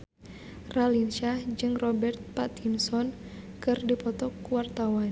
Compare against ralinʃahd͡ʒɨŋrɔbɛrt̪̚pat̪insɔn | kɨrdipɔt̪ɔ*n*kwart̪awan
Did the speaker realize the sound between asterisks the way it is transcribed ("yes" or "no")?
no